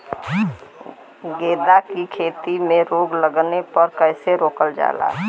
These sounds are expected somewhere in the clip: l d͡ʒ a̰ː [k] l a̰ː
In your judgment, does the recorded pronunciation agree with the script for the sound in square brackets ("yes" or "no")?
no